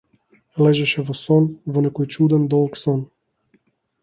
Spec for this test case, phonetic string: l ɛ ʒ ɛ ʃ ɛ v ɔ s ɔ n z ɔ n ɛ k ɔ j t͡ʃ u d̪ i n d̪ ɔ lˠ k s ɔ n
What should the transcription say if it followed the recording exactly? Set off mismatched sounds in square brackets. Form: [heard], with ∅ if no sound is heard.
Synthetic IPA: l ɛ ʒ ɛ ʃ ɛ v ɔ s ɔ n [v] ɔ n ɛ k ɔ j t͡ʃ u d̪ [ɛ] n d̪ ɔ lˠ k s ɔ n